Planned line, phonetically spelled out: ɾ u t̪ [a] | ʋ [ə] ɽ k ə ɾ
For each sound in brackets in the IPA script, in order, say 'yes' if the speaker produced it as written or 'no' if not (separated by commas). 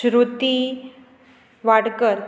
no, no